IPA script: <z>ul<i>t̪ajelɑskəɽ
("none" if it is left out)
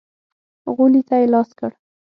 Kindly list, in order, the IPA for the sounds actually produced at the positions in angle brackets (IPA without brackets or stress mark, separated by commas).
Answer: ɣ, i